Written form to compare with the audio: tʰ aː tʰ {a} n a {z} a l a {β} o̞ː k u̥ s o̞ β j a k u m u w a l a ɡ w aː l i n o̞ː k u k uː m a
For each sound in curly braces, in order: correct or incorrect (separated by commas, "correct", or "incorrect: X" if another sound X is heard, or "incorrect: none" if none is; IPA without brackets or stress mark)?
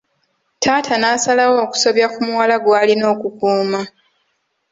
correct, incorrect: s, incorrect: w